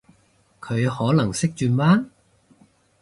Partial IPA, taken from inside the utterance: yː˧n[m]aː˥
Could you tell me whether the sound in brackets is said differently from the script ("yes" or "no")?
no